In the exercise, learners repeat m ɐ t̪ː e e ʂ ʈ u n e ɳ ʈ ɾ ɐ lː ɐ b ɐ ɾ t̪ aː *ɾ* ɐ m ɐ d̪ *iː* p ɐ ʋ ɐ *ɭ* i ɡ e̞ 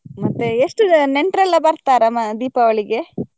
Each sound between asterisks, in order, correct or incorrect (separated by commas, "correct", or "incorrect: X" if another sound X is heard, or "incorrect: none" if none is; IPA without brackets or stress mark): correct, correct, correct